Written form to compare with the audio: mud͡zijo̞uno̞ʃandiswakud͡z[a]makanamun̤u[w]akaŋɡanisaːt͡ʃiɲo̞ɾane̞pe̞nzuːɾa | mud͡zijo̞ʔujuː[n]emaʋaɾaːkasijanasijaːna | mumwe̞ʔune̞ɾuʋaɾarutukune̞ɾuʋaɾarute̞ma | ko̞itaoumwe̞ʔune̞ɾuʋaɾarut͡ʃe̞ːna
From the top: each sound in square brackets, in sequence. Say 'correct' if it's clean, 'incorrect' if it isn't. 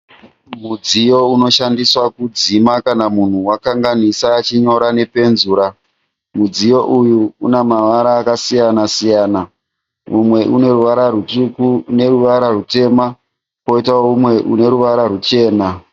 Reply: incorrect, correct, correct

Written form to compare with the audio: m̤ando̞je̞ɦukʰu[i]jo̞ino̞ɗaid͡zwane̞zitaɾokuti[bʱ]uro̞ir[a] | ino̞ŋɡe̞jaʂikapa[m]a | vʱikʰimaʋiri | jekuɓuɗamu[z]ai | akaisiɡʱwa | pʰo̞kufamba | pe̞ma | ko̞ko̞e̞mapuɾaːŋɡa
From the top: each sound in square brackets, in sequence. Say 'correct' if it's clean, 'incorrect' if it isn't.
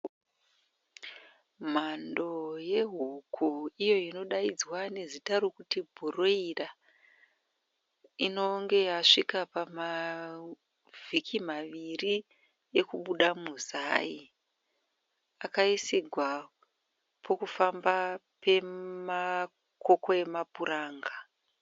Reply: correct, correct, correct, correct, correct

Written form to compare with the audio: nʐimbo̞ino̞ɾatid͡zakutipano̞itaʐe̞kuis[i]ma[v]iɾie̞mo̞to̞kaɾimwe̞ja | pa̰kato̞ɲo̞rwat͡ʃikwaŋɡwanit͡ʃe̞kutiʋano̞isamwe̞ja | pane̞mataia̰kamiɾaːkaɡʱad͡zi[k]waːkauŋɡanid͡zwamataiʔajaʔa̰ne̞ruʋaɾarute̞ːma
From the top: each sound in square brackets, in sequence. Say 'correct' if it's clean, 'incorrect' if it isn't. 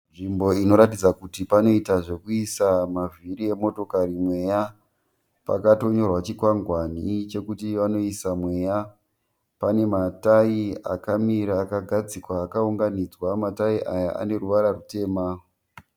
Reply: incorrect, correct, correct

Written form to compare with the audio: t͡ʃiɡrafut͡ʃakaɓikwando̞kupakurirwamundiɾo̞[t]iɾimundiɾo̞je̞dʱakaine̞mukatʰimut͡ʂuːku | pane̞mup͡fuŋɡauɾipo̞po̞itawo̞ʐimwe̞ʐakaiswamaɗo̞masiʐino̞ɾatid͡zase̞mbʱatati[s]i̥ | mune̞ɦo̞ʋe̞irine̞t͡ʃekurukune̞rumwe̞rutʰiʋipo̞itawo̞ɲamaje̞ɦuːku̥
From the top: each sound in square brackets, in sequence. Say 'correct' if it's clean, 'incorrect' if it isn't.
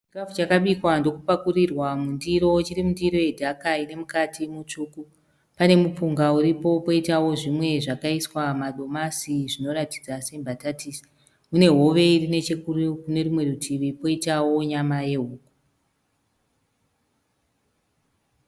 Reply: incorrect, correct

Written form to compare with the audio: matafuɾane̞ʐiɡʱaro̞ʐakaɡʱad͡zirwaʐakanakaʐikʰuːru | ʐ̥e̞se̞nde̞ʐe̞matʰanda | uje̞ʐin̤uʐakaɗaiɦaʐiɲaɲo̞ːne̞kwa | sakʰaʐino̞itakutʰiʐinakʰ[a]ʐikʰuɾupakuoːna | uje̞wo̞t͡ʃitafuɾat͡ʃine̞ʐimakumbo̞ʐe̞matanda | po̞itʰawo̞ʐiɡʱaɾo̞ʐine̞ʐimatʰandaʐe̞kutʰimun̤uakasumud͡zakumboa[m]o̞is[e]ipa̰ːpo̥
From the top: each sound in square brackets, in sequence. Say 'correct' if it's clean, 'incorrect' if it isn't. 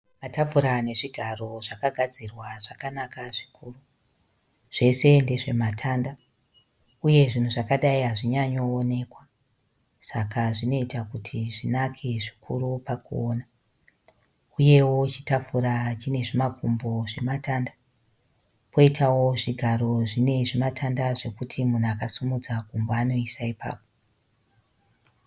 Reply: incorrect, incorrect, incorrect

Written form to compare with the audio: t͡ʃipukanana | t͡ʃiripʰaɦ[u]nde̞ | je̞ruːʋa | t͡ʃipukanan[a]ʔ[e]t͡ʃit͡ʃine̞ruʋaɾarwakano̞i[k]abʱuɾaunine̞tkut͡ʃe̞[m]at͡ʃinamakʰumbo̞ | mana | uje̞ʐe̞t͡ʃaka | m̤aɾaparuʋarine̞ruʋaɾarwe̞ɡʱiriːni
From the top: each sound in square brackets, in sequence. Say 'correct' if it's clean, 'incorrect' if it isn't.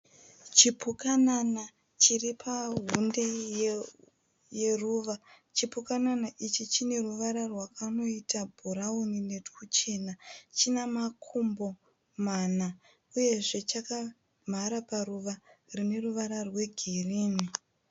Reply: correct, correct, incorrect, incorrect, incorrect

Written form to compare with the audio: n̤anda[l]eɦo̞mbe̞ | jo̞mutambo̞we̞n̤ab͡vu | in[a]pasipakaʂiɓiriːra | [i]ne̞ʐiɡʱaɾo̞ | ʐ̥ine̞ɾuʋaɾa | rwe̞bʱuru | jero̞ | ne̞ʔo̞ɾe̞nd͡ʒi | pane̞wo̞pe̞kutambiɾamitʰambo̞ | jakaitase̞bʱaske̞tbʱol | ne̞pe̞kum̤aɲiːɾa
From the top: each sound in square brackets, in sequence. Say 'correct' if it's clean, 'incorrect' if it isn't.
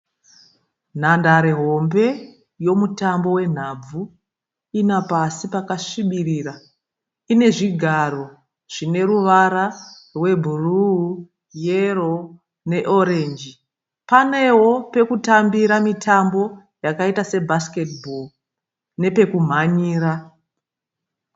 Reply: incorrect, correct, correct

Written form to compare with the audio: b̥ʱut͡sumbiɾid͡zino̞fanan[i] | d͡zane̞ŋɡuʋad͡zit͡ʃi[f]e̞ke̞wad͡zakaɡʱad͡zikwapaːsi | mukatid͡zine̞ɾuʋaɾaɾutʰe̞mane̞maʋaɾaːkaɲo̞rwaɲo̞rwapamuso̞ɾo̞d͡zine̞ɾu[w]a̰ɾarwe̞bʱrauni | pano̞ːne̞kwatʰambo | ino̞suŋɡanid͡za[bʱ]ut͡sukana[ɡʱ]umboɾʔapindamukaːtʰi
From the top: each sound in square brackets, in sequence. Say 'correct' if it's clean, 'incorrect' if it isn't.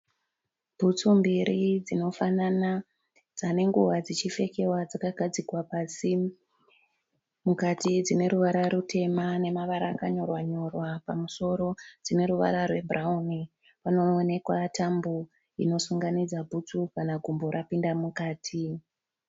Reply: incorrect, correct, incorrect, correct, correct

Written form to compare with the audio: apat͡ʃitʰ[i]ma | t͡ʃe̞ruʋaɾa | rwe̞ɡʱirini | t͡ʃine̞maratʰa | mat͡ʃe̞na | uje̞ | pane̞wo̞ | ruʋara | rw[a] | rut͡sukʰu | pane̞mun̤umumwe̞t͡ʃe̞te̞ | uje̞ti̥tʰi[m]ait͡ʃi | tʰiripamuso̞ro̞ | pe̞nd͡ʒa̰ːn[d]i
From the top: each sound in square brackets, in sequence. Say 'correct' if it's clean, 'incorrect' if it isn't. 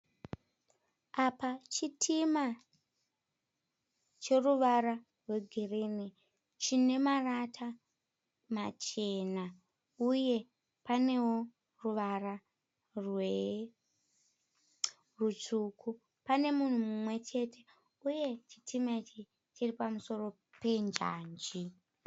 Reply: correct, incorrect, correct, incorrect

